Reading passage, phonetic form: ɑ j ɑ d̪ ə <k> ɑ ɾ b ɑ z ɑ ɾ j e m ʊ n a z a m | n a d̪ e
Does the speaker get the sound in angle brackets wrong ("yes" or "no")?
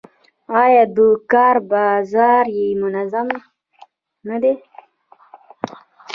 no